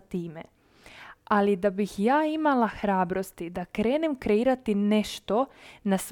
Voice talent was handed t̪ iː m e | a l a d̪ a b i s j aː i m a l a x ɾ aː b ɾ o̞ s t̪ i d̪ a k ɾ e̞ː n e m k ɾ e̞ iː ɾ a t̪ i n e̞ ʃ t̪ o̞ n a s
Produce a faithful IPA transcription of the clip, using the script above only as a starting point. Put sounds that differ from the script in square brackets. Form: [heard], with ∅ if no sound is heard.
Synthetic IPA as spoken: t̪ iː m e | a l [i] d̪ a b i [x] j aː i m a l a x ɾ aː b ɾ o̞ s t̪ i d̪ a k ɾ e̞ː n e m k ɾ e̞ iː ɾ a t̪ i n e̞ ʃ t̪ o̞ n a s